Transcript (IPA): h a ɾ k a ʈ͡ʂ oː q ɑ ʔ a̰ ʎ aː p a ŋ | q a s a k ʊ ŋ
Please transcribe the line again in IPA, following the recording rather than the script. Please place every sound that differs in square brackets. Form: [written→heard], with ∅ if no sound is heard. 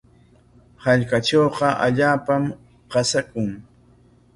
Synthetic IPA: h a [ɾ→ʎ] k a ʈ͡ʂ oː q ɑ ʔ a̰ ʎ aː p a [ŋ→m] | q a s a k ʊ ŋ